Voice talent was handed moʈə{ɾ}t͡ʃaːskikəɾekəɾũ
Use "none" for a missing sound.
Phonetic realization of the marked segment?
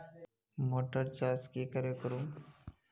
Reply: ɾ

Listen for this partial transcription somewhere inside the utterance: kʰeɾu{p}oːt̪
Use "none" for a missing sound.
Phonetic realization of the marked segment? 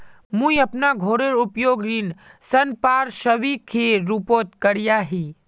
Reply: p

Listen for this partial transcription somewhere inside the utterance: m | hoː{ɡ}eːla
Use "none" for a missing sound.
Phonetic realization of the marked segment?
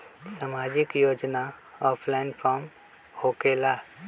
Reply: k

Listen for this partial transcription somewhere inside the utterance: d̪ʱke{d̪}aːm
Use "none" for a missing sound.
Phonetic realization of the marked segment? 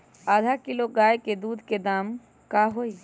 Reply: d̪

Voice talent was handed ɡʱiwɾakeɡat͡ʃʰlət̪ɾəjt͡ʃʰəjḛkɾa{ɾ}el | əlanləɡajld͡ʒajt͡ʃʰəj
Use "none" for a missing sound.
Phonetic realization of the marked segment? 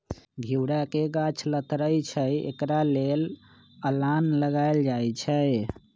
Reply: l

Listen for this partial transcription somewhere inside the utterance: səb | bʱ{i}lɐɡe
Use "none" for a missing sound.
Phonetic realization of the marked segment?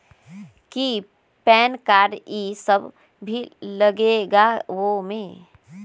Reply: i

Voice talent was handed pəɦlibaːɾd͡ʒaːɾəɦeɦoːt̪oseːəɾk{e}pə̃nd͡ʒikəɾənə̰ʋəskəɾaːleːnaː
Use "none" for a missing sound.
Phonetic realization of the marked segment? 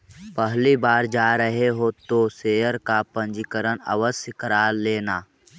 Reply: a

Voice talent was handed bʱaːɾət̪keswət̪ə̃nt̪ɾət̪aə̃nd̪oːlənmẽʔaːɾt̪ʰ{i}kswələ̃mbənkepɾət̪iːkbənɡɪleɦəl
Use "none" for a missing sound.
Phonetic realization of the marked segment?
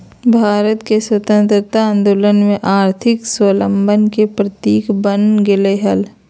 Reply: ɪ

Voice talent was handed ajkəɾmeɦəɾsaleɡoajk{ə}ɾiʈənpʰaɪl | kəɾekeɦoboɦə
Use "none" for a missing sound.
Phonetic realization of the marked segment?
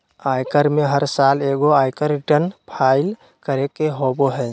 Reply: ə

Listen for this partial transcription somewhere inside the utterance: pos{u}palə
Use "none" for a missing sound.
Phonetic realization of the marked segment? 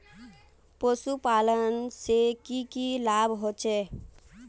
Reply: u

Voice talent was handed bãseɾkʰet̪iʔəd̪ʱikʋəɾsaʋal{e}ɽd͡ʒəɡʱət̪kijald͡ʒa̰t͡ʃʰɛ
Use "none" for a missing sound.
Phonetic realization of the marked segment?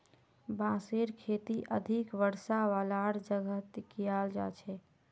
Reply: a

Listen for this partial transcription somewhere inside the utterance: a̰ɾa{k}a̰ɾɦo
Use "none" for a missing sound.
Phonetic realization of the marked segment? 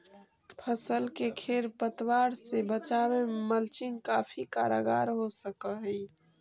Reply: ɡ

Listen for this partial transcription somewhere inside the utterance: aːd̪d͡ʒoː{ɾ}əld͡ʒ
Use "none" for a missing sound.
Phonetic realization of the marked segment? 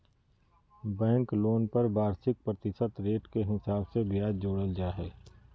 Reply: ɽ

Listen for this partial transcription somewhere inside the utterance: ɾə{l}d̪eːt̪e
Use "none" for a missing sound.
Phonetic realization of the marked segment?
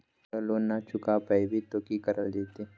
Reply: l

